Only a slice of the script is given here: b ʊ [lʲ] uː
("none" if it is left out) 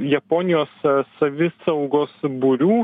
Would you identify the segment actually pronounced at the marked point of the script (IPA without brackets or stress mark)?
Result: ɾʲ